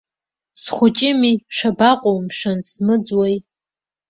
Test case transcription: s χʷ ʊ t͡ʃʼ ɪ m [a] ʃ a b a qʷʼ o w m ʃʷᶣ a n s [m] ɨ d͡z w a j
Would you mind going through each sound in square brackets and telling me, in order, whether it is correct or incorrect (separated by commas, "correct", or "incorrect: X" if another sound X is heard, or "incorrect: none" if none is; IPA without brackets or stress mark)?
incorrect: i, correct